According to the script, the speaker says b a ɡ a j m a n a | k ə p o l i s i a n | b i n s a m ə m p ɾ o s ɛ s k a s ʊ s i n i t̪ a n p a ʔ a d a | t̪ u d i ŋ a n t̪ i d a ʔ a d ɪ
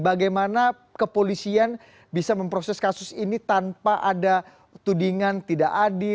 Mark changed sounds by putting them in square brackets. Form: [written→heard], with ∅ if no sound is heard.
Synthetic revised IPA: b a ɡ a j m a n a | k ə p o l i s i a n | b i [n→∅] s a m ə m p ɾ o s ɛ s k a s ʊ s i n i t̪ a n p a ʔ a d a | t̪ u d i ŋ a n t̪ i d a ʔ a d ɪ